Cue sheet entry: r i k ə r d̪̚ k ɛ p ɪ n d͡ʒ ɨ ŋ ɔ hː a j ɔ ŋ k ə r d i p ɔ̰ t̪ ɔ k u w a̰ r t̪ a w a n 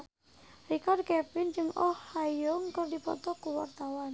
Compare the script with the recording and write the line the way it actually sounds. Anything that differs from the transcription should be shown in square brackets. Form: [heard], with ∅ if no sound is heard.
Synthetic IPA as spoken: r i k [a] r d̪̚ k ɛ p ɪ n d͡ʒ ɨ ŋ ɔ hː a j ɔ ŋ k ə r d i p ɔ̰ t̪ ɔ k u w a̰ r t̪ a w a n